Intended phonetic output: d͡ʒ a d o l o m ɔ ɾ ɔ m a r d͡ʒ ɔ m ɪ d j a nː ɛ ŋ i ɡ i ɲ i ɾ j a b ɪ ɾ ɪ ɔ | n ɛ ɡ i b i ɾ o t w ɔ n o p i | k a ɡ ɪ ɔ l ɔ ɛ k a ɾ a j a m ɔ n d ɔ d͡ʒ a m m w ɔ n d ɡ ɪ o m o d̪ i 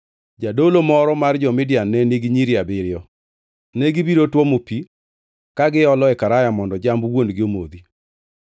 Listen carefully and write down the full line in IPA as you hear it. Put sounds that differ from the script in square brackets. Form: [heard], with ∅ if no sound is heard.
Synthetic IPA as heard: d͡ʒ a d o l o m ɔ ɾ ɔ m a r d͡ʒ ɔ m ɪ d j a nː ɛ [n] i ɡ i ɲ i ɾ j a b ɪ ɾ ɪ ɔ | n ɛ ɡ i b i ɾ o t w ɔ [m] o p i | k a ɡ ɪ ɔ l ɔ ɛ k a ɾ a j a m ɔ n d ɔ d͡ʒ a m [b] w [o] n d ɡ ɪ o m o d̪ i